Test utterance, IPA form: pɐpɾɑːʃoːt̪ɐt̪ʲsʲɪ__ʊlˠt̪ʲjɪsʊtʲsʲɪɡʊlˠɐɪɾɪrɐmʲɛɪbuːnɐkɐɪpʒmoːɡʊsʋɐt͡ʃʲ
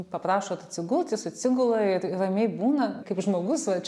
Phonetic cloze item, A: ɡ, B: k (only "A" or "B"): A